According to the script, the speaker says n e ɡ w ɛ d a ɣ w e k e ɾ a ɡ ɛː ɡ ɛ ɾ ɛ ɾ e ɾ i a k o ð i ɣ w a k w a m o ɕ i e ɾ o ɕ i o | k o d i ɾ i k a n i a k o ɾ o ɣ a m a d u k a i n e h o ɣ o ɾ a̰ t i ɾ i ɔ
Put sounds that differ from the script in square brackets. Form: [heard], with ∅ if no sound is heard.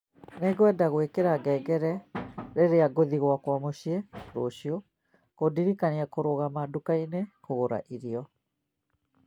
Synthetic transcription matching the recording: n e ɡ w ɛ d a ɣ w e k e ɾ a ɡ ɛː ɡ ɛ ɾ ɛ ɾ e ɾ [e] a [ɡ] o ð i ɣ w a k w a m o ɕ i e ɾ o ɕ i o | k o d i ɾ i k a n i a k o ɾ o ɣ a m a d u k a i n e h o ɣ o ɾ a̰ [ʔ] i ɾ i ɔ